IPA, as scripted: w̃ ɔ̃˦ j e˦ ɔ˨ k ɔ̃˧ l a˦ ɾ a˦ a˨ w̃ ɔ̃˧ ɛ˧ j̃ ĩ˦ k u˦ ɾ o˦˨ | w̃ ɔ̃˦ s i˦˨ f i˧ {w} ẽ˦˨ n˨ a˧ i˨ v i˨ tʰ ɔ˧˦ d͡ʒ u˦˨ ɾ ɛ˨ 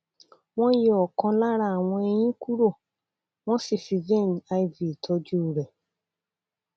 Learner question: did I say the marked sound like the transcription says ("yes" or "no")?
no